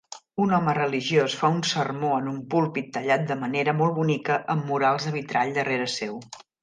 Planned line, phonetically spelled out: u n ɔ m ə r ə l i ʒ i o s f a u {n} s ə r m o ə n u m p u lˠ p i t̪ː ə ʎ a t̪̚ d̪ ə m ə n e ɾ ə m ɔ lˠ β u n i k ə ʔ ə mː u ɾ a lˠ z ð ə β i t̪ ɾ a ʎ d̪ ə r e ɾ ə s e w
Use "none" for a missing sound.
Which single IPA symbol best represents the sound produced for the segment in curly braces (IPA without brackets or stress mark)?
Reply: n